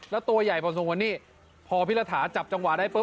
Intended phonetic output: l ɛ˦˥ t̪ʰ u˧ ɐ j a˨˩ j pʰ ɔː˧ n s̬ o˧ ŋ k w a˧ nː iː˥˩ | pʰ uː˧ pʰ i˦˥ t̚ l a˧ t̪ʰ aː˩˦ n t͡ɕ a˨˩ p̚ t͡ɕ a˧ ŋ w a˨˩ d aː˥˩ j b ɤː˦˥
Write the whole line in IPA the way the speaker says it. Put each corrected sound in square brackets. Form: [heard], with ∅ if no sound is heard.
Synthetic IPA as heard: l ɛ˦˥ [t̪] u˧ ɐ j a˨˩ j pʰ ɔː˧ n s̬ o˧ ŋ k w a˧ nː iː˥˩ | pʰ [ɔː˧] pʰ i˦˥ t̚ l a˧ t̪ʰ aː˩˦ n t͡ɕ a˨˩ p̚ t͡ɕ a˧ ŋ w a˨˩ d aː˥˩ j [p] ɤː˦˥